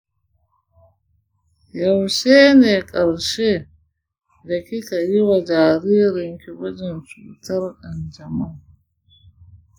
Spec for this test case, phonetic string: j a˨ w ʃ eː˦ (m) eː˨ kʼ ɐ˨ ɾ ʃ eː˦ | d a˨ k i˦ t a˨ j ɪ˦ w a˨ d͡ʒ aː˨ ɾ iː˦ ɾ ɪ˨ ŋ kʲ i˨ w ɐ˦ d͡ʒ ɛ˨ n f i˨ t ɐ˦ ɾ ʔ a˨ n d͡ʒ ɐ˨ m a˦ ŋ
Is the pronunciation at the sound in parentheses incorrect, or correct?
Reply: incorrect